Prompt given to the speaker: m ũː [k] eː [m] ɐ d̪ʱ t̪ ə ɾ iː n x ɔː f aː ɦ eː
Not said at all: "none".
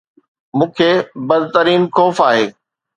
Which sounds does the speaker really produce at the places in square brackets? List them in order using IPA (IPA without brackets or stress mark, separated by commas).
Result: kʰ, b